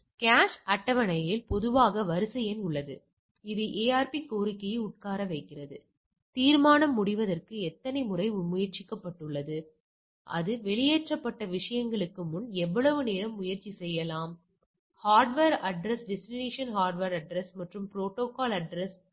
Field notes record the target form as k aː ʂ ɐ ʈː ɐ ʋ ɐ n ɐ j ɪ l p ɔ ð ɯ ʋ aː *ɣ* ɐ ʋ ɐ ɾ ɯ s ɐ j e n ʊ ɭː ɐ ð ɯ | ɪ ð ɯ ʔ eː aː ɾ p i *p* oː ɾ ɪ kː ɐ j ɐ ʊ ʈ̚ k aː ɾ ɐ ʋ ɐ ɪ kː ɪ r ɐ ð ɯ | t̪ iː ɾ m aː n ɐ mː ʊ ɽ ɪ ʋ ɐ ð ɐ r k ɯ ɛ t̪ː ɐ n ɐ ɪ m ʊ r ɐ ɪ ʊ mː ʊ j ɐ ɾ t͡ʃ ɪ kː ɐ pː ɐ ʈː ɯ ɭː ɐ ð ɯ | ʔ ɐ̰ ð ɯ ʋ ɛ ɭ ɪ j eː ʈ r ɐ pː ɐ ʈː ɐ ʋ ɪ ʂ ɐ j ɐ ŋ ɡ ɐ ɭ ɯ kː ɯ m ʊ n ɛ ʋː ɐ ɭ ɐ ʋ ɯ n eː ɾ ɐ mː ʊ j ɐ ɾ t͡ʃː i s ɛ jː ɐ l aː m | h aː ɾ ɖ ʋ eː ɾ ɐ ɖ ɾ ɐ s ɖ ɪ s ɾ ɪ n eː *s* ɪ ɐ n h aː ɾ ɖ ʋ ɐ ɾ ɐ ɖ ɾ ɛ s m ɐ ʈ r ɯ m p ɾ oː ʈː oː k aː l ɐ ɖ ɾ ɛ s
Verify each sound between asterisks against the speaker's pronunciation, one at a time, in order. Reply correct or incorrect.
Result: correct, incorrect, incorrect

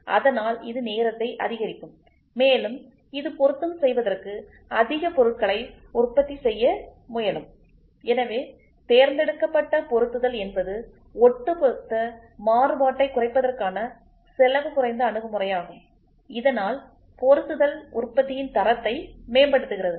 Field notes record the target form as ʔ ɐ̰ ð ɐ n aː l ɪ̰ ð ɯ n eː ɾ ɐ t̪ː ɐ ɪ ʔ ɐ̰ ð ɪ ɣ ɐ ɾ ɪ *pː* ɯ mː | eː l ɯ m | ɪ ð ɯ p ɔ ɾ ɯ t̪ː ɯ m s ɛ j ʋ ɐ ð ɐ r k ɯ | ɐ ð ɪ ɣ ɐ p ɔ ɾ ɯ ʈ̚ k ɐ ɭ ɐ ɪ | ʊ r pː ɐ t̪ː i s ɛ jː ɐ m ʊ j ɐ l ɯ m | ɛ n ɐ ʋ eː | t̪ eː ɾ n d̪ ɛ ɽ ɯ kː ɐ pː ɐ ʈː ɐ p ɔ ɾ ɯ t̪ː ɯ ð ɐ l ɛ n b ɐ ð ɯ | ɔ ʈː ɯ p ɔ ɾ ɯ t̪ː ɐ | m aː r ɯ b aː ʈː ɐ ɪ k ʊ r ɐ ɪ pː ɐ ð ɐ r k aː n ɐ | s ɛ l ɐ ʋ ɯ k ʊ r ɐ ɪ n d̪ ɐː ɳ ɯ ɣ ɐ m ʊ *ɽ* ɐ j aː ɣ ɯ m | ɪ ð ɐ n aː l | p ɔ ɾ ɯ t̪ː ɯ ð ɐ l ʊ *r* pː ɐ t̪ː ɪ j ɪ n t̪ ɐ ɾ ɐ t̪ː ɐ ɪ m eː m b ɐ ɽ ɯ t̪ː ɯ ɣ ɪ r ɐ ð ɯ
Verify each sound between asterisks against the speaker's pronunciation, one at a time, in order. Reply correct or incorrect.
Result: incorrect, incorrect, correct

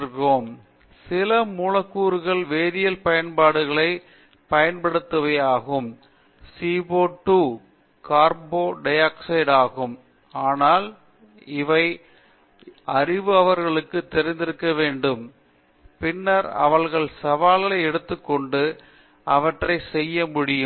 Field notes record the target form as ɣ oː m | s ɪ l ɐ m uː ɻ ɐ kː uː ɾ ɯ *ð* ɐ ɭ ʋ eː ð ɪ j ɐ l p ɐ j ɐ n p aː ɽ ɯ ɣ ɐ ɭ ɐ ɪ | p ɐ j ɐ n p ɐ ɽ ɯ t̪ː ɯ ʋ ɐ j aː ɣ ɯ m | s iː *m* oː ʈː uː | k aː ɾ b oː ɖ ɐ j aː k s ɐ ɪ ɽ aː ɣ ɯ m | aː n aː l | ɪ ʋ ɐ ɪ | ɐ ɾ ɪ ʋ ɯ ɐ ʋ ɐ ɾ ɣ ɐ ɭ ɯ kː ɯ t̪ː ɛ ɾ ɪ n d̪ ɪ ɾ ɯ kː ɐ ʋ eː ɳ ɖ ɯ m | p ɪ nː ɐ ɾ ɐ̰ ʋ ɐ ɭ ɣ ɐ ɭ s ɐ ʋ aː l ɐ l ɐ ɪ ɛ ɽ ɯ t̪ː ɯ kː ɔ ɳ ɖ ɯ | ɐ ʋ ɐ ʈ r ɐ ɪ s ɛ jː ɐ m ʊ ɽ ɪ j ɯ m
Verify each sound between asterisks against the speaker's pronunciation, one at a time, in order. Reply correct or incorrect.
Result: incorrect, incorrect

